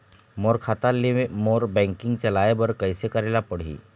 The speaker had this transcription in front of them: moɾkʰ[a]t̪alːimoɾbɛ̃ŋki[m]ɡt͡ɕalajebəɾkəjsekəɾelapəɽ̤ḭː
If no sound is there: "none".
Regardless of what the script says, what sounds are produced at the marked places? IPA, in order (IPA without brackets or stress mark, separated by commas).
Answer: a, ŋ